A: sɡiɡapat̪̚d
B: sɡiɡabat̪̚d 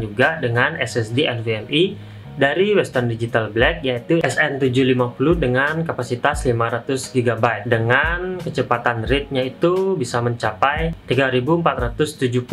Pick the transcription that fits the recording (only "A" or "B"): B